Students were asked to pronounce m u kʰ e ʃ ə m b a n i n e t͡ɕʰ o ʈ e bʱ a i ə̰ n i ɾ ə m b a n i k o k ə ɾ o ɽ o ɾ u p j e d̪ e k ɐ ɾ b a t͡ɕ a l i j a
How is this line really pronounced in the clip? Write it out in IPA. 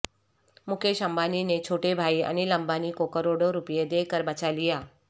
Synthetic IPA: m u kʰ e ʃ ə m b a n i n e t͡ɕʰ o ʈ e bʱ a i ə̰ n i l ə m b a n i k o k ə ɾ o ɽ o ɾ u p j e d̪ e k ə ɾ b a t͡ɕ a l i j a